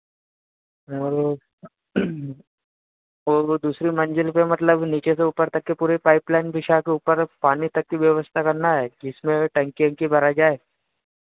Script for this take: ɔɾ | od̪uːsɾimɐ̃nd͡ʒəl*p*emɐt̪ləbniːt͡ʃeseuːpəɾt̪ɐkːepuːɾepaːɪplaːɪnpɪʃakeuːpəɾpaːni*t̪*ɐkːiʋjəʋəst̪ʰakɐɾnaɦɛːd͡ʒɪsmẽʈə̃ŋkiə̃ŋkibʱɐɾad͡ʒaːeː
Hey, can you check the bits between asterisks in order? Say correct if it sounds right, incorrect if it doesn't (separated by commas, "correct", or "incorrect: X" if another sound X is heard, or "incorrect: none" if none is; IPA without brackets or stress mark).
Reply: correct, correct